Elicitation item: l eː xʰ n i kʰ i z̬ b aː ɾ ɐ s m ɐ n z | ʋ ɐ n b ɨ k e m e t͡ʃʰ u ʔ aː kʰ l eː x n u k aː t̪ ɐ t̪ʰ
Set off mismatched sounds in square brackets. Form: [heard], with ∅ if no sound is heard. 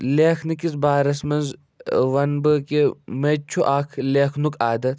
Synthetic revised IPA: l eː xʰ n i [k] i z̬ b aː ɾ ɐ s m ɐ n z | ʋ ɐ n b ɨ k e m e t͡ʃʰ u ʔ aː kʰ l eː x n u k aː [d̪] ɐ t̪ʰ